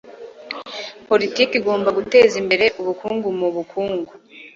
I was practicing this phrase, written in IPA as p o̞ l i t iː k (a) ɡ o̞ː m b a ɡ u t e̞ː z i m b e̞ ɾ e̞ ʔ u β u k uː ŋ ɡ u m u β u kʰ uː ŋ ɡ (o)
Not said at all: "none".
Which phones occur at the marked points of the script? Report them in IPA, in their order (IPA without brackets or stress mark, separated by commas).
i, u